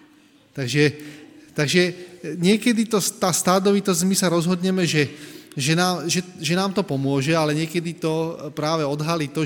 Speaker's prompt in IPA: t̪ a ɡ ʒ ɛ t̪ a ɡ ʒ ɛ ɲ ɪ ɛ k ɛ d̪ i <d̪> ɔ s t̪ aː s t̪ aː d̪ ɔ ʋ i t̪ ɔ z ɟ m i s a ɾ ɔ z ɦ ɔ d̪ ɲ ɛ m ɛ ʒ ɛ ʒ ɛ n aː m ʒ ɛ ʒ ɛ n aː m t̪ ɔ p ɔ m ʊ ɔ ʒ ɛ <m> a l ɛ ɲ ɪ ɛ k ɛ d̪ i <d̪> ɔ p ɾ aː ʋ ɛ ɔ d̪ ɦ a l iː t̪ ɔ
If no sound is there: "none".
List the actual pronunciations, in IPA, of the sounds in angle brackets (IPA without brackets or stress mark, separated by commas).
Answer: t̪, none, t̪